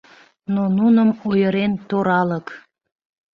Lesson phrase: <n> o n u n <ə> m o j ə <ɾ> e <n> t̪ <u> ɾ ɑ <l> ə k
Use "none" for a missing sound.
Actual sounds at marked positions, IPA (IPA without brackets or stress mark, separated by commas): n, ə, ɾ, n, o, l